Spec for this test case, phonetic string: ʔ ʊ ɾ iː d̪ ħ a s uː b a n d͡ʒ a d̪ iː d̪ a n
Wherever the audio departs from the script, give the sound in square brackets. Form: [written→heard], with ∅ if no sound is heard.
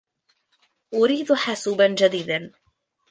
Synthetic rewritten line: ʔ ʊ ɾ iː d̪ ħ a s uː b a n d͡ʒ a d̪ iː d̪ a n